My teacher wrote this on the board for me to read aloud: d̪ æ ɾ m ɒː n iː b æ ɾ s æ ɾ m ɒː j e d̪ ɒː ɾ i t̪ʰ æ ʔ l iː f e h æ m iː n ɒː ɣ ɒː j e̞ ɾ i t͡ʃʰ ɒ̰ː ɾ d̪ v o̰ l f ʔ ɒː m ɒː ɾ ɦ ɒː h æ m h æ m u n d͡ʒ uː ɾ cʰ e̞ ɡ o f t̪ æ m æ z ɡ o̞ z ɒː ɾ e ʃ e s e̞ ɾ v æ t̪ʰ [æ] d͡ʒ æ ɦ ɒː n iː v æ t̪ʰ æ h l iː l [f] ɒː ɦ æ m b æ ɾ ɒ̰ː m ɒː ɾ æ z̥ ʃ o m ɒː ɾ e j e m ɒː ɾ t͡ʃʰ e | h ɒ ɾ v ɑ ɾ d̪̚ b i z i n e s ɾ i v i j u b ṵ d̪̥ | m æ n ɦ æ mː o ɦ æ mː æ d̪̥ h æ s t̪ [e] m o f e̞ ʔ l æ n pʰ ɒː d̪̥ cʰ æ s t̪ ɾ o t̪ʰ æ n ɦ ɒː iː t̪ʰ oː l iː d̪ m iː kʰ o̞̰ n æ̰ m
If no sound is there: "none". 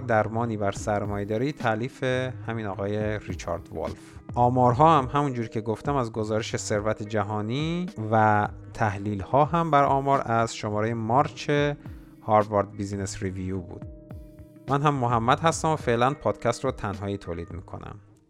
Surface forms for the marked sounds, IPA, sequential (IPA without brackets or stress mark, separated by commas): e, h, æ